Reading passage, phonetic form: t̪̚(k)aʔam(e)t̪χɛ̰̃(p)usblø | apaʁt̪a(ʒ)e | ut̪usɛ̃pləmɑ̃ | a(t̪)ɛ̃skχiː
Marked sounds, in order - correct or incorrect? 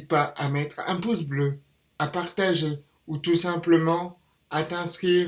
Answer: incorrect: p, incorrect: ɛ, correct, correct, correct

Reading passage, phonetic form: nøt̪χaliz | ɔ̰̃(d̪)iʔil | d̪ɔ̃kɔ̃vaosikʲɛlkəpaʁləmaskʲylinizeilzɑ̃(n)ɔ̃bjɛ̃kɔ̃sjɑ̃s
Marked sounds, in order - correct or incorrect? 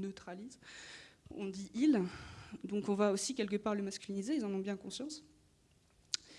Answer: correct, correct

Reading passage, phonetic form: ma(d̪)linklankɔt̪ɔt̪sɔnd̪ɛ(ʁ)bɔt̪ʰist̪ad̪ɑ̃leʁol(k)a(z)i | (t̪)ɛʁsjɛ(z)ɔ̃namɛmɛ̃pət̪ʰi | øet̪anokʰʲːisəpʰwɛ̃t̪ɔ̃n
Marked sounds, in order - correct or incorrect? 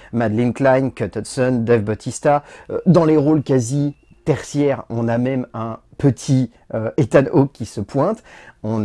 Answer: correct, incorrect: v, correct, correct, correct, incorrect: ʁ

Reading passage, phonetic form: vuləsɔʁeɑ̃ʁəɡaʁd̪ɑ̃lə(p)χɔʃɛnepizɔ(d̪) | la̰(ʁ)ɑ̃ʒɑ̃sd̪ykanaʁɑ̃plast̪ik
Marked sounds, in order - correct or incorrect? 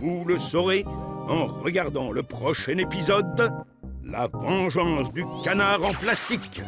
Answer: correct, correct, incorrect: v

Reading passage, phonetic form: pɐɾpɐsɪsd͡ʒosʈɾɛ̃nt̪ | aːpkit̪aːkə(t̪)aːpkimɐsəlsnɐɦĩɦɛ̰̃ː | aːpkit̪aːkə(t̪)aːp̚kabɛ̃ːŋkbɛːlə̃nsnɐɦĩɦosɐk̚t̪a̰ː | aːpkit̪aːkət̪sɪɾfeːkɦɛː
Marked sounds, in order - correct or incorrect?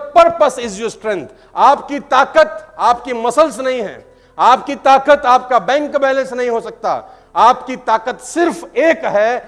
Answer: correct, correct

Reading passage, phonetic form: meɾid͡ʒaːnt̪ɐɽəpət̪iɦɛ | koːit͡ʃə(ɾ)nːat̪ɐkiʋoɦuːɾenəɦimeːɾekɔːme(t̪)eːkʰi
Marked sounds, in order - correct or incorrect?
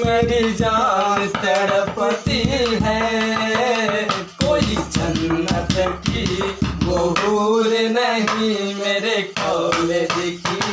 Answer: incorrect: none, incorrect: d̪

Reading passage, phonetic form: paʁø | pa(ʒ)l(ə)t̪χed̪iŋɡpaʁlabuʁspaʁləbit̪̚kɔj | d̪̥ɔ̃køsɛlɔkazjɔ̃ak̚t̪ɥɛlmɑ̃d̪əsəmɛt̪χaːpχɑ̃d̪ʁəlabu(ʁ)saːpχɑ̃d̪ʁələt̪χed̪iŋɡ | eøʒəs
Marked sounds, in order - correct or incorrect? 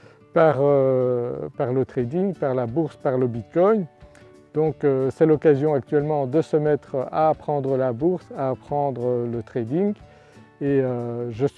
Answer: incorrect: ʁ, correct, correct

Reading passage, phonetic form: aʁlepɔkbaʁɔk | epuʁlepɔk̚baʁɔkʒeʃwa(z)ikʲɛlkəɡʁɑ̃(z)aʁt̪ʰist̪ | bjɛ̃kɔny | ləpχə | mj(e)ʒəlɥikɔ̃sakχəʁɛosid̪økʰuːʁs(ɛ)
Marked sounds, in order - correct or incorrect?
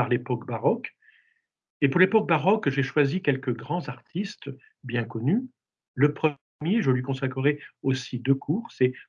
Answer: correct, correct, correct, correct

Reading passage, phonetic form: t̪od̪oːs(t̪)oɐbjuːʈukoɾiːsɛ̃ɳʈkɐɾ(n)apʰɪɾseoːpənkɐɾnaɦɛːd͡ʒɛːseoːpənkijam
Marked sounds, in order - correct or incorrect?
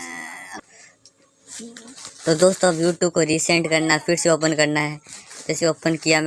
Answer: correct, correct

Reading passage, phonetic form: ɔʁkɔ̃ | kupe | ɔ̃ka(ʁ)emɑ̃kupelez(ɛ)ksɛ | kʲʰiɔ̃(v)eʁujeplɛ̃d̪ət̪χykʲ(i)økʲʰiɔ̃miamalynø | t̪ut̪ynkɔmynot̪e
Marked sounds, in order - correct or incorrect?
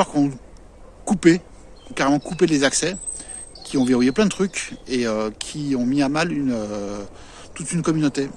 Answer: correct, incorrect: a, correct, incorrect: e

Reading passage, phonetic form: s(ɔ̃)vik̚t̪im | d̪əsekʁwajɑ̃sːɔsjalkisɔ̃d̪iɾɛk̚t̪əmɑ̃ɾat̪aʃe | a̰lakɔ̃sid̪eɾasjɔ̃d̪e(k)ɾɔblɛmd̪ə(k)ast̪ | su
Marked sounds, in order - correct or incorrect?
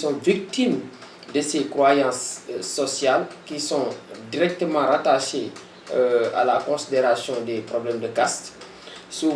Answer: correct, incorrect: p, correct

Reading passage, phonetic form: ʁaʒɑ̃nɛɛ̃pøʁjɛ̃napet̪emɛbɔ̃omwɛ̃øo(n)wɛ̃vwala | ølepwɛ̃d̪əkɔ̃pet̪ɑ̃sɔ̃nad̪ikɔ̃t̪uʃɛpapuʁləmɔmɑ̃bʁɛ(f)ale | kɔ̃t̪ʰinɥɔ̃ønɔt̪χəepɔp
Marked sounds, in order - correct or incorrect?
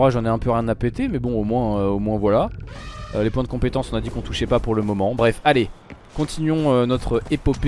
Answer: incorrect: m, correct

